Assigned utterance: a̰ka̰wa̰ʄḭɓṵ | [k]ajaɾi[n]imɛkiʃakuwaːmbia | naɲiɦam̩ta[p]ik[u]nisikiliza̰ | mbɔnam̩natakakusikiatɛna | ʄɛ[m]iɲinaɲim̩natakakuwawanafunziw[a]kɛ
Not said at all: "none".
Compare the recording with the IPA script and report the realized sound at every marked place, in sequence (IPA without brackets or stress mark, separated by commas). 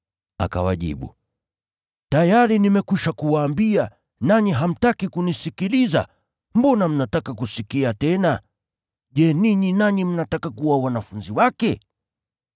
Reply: t, n, k, u, n, a